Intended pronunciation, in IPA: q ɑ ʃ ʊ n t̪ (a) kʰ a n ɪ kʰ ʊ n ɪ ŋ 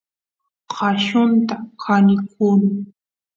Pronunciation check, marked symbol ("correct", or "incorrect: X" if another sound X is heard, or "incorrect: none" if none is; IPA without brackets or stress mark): correct